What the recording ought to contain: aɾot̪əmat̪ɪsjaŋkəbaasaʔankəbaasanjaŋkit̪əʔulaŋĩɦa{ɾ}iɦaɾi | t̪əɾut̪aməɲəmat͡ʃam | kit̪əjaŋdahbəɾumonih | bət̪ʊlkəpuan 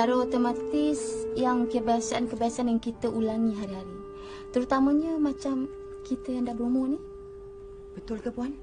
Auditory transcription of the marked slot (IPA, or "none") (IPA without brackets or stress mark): ɾ